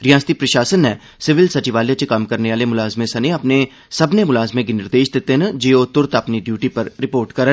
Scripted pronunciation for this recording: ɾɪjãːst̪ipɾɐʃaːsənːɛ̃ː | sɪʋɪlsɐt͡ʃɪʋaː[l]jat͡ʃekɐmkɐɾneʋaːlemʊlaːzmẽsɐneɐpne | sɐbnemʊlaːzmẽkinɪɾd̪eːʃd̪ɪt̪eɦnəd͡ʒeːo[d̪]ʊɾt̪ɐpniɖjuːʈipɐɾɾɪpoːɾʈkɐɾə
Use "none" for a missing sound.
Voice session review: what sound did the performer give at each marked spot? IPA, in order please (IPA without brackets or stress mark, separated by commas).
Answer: l, t̪